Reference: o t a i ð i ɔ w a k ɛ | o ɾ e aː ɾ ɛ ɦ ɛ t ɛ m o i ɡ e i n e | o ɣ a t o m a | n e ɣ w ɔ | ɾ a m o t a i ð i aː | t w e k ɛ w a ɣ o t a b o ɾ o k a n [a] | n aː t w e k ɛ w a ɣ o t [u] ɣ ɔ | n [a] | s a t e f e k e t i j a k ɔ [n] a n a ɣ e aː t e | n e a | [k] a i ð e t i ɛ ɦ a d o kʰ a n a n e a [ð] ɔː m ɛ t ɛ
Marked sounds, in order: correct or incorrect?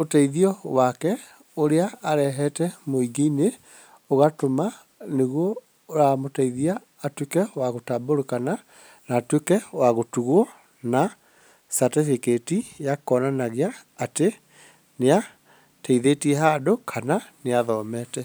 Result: correct, correct, correct, correct, incorrect: t, correct

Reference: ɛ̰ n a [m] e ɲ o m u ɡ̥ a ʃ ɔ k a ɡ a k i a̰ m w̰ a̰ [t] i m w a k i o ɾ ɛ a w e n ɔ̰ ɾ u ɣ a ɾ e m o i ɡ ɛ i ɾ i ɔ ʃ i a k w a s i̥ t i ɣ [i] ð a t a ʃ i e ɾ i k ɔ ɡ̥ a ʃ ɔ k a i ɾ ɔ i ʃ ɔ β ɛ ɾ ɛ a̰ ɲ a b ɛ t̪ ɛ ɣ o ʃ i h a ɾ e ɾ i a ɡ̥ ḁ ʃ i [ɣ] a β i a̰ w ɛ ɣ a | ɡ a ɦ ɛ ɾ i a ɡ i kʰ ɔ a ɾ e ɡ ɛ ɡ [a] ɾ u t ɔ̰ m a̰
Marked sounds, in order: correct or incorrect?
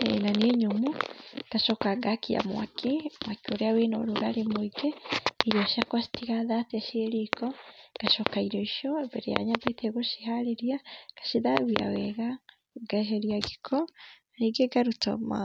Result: incorrect: n, incorrect: k, incorrect: a, incorrect: ð, correct

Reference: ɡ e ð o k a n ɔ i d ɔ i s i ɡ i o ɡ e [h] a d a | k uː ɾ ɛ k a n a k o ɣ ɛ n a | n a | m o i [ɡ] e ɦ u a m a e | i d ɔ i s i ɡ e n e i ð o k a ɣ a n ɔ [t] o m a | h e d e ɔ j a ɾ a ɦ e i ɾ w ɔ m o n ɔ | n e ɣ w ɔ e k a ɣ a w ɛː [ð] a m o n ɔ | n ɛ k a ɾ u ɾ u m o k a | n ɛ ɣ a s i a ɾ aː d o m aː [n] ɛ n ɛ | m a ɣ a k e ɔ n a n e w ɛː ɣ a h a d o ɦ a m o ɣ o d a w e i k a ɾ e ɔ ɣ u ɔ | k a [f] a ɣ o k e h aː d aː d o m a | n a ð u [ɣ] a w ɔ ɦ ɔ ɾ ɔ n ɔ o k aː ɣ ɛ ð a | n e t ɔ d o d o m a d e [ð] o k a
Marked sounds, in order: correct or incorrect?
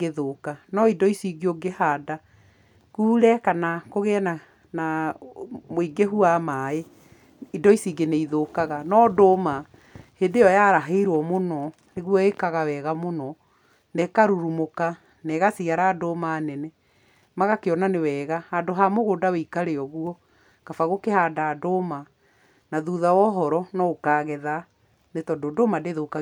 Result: correct, correct, incorrect: d, incorrect: ɣ, correct, correct, incorrect: ð, correct

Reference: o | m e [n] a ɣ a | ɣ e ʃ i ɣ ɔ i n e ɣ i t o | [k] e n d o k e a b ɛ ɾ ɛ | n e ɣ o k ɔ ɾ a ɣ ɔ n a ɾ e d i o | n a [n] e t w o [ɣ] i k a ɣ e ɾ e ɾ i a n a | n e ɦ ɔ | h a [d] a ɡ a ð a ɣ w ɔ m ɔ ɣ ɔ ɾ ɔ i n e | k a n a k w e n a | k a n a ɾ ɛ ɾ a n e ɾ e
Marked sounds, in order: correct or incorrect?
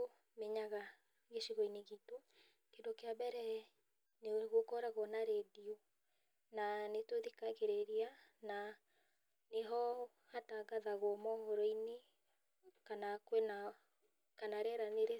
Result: incorrect: ɲ, correct, correct, incorrect: ð, incorrect: t

